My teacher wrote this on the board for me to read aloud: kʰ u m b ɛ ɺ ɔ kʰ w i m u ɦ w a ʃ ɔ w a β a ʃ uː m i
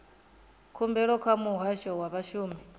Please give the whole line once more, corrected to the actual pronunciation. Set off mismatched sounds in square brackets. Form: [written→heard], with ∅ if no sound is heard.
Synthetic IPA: kʰ u m b ɛ ɺ ɔ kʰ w [i→a] m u ɦ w a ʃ ɔ w a β a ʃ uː m i